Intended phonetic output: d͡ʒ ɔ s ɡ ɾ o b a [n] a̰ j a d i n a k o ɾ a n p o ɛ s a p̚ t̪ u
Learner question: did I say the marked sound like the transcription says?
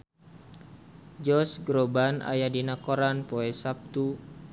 yes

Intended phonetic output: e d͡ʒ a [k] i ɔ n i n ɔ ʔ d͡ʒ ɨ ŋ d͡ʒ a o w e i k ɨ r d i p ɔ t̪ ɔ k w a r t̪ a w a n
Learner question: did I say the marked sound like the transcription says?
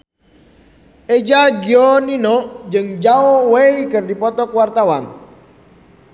no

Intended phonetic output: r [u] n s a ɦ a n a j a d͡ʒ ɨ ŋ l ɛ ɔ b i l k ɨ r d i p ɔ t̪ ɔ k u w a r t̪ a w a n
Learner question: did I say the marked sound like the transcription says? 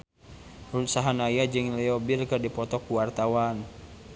yes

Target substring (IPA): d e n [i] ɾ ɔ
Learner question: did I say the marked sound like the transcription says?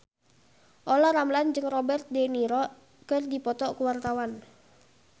yes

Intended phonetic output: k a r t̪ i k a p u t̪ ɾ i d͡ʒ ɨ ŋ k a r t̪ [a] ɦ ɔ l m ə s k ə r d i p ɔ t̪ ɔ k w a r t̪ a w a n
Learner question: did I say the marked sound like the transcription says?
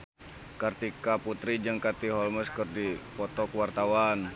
no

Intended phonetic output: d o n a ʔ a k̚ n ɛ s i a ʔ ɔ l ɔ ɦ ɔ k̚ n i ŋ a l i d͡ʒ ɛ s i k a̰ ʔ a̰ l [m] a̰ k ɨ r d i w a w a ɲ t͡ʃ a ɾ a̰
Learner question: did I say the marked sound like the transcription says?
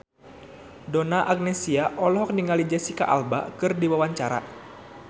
no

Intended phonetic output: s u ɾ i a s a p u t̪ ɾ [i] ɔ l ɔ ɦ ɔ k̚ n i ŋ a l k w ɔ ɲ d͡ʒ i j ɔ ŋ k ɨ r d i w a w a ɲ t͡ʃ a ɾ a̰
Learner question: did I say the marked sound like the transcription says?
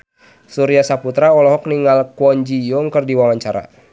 no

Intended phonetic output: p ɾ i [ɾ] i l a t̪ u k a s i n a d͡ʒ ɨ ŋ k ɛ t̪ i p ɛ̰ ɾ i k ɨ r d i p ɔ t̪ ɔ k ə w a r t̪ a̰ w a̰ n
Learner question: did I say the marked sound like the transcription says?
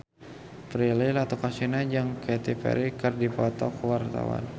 no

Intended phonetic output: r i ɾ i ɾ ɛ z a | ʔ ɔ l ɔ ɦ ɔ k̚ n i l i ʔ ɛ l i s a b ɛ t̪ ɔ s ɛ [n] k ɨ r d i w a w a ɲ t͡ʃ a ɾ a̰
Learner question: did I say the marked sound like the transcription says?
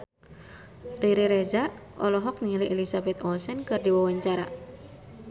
yes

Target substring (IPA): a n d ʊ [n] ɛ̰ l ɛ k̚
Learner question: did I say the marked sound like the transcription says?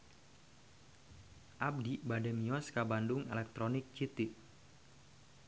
no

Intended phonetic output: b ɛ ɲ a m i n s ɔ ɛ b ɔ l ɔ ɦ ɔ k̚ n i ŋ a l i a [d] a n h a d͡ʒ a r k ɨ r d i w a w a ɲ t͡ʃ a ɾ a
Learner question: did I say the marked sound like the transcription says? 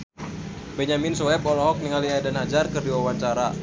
yes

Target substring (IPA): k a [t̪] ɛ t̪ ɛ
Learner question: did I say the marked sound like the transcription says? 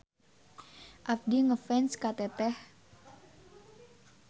yes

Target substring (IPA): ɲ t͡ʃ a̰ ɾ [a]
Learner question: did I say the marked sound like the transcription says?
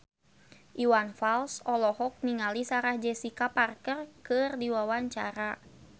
yes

